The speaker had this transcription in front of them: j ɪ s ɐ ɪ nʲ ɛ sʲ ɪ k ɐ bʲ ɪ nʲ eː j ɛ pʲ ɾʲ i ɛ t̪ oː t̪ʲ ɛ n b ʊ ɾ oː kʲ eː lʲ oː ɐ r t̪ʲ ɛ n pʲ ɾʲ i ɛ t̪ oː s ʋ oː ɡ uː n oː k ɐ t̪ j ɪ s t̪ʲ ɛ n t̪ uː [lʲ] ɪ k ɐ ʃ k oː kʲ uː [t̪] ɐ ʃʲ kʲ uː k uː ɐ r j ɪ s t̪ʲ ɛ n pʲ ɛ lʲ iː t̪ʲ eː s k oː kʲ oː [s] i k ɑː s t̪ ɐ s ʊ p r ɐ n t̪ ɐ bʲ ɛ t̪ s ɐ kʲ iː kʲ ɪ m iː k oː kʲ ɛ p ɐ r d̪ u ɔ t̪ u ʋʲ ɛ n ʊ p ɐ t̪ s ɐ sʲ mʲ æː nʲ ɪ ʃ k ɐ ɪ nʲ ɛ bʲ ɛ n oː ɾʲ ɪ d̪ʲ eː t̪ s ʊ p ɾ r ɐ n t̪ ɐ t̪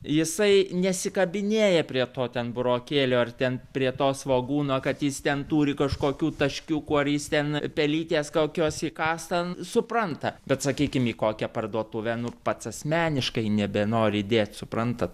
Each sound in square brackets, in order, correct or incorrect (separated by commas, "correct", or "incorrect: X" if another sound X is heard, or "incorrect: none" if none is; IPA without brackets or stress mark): incorrect: ɾʲ, correct, correct